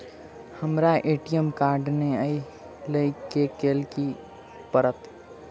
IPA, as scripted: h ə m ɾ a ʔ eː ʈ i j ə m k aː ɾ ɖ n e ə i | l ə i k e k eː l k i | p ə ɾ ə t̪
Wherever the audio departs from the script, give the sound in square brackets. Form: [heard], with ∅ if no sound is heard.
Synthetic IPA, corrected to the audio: h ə m ɾ a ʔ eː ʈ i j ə m k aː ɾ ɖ n e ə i | l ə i k e k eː l k i | p ə ɾ ə t̪